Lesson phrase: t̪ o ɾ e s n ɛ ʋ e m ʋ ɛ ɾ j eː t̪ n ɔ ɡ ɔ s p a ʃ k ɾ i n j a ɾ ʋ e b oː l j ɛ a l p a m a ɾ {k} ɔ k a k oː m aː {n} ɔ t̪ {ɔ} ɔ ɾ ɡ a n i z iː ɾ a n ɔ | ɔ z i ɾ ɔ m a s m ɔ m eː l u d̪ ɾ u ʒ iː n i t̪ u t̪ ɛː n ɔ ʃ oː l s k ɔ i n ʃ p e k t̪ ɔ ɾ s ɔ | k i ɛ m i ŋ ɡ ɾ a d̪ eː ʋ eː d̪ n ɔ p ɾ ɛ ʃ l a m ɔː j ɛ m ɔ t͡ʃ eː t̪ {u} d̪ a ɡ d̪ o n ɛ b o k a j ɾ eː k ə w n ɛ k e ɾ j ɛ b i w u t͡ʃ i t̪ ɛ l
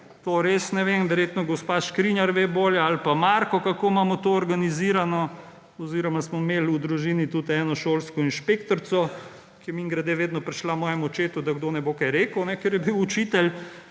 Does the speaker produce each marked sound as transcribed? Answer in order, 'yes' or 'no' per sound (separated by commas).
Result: yes, no, no, yes